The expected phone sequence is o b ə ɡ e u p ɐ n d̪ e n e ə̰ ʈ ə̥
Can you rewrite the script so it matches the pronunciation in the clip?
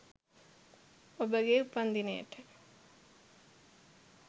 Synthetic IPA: o b ə ɡ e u p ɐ n d̪ i n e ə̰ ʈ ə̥